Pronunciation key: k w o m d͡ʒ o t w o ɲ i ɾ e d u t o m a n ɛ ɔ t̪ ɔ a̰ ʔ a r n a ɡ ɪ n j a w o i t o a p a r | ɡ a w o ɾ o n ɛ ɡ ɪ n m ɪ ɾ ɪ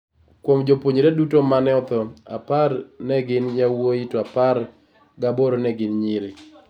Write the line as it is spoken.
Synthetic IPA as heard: k w o m d͡ʒ o p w o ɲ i ɾ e d u t o m a n ɛ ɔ t̪ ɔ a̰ p a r n ɛ ɡ ɪ n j a w o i t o a p a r | ɡ a b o ɾ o n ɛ ɡ ɪ n ɲ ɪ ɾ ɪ